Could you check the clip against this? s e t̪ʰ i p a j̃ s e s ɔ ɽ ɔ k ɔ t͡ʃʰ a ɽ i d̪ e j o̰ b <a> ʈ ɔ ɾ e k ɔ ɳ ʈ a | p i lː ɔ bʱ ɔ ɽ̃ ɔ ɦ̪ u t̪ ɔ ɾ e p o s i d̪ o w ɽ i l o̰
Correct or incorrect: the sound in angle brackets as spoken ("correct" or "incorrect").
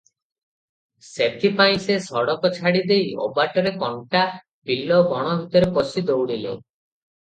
correct